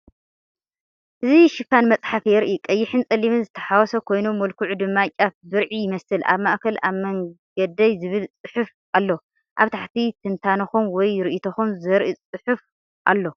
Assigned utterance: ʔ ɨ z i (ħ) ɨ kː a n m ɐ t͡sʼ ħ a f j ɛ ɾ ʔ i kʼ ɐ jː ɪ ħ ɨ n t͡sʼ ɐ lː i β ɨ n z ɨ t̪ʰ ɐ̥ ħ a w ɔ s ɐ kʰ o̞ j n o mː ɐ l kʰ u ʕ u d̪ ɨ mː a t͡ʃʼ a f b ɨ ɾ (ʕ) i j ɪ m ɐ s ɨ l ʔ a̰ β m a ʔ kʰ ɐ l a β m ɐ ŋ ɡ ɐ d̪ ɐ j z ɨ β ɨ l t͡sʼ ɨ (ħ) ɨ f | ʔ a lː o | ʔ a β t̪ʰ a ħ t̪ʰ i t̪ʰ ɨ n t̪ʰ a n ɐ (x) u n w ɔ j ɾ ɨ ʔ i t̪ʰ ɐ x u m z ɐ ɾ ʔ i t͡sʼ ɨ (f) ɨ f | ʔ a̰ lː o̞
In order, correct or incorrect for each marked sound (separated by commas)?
incorrect, correct, correct, correct, incorrect